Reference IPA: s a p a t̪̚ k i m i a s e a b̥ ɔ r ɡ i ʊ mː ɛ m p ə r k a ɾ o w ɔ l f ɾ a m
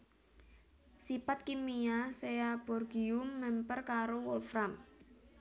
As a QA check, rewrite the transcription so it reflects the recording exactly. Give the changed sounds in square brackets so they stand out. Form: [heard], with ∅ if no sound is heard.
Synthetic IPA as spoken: s [i] p a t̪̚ k i m i a s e a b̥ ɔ r ɡ i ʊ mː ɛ m p ə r k a ɾ o w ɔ l f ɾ a m